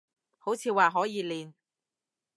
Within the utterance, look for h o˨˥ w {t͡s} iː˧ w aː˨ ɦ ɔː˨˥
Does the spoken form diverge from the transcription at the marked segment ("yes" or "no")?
yes